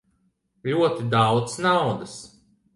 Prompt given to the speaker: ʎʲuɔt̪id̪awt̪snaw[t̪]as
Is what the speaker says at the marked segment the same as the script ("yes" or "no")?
no